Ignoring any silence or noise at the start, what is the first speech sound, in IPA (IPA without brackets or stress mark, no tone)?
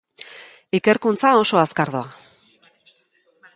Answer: i